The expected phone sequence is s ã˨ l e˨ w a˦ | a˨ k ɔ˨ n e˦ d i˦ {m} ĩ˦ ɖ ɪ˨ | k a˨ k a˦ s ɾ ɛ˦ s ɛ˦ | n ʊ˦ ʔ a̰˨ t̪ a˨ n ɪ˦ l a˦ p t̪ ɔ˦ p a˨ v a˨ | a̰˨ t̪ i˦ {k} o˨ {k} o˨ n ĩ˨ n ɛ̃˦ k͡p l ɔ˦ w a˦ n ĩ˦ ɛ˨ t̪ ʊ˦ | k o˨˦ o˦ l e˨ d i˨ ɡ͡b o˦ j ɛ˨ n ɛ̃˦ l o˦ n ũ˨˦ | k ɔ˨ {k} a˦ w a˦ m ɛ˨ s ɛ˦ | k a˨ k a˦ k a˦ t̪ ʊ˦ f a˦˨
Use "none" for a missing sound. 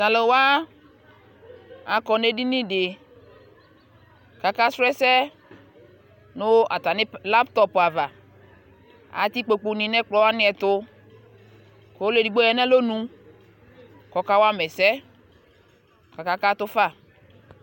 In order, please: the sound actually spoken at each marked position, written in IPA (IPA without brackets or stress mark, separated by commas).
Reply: n, k͡p, k͡p, k